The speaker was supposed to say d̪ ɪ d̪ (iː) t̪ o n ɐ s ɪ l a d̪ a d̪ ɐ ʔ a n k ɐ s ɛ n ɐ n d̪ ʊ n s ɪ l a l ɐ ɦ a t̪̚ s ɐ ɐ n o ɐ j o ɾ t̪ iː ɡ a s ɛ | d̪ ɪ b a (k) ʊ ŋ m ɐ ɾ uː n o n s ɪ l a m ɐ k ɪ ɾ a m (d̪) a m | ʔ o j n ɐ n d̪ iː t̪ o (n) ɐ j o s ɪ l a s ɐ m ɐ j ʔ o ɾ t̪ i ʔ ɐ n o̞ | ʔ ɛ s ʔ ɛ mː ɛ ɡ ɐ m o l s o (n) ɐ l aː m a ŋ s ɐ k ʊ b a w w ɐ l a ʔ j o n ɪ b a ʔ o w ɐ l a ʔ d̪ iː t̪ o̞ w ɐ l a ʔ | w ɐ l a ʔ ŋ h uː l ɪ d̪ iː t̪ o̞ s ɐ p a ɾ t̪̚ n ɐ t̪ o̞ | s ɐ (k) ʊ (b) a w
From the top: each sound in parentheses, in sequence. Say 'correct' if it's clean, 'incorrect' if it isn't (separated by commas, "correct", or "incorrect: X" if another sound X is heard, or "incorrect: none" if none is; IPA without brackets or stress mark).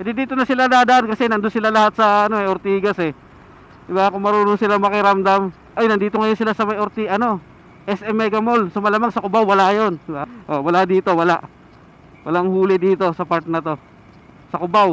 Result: correct, correct, correct, incorrect: ŋ, incorrect: m, correct, correct